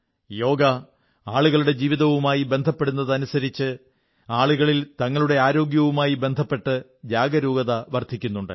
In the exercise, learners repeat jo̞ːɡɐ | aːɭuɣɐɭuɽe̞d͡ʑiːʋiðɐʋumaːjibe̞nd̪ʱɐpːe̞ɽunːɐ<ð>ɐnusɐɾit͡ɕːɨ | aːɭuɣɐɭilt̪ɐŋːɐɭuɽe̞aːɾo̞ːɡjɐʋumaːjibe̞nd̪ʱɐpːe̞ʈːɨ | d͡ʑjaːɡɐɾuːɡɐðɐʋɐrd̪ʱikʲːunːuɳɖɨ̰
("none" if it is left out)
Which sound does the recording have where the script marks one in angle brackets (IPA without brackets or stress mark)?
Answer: ð